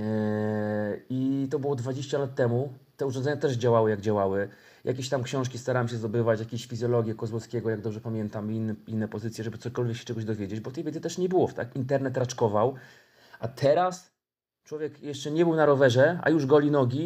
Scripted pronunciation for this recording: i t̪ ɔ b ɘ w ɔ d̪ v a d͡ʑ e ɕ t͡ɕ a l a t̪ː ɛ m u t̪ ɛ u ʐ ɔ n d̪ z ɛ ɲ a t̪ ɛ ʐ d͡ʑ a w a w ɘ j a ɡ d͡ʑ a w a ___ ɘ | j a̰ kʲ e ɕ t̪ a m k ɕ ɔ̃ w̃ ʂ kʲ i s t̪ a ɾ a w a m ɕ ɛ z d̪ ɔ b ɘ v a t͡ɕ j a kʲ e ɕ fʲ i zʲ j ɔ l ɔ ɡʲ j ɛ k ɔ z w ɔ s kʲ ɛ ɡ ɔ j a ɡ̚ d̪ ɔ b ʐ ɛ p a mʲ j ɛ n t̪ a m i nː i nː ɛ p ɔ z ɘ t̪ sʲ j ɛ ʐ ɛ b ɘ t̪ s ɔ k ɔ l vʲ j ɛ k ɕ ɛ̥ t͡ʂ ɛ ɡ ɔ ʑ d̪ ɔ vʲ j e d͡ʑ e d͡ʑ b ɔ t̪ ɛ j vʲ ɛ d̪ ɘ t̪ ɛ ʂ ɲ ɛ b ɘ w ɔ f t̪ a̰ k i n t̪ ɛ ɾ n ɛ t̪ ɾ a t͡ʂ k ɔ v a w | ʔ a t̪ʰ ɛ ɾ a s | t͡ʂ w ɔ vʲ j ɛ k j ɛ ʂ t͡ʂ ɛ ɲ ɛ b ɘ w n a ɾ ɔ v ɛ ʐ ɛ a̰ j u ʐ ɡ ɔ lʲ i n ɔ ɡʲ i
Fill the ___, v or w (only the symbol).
w